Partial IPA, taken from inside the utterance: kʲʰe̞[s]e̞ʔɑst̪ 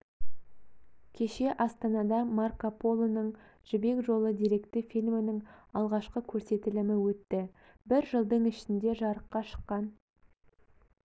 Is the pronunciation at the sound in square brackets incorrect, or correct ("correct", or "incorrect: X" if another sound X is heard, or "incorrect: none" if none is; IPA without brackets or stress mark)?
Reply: incorrect: ʃ